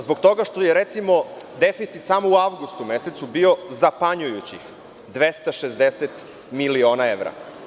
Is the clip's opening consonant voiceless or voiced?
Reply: voiced